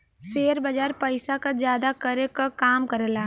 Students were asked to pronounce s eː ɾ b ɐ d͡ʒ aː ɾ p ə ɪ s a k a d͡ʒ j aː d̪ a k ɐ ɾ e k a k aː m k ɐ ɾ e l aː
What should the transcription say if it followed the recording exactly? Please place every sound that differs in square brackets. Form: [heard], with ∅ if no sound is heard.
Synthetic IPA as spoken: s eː ɾ b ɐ d͡ʒ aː ɾ p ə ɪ s a k a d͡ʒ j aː d̪ a k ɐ ɾ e k a k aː m k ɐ ɾ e l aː